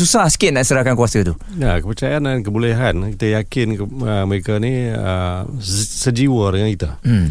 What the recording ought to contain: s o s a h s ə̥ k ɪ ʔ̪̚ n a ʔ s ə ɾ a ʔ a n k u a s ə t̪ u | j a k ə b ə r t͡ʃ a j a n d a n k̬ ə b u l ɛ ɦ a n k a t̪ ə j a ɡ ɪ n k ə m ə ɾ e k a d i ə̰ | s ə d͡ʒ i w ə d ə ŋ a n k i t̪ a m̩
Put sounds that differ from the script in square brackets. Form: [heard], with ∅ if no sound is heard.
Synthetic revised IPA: s [u] s a h s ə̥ k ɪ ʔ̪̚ n a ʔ s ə ɾ a [k] a n k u a s ə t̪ u | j a k ə [p] ə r t͡ʃ a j a n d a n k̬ ə b u l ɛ ɦ a n k [i] t̪ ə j a [k] ɪ n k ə m ə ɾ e k a [n] i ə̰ | s ə d͡ʒ i w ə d ə ŋ a n k i t̪ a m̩